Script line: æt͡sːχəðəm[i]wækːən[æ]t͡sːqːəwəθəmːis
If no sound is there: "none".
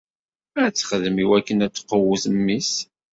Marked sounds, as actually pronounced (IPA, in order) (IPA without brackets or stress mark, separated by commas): i, æ